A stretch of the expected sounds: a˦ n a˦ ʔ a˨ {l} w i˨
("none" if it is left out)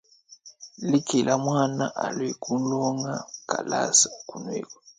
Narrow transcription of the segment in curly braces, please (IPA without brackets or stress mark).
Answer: l